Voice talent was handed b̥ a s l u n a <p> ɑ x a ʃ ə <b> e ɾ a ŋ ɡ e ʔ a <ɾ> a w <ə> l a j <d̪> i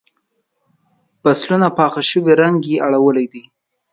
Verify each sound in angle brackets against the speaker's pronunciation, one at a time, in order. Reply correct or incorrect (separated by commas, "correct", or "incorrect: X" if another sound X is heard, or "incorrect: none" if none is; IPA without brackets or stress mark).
correct, incorrect: w, incorrect: ɽ, correct, correct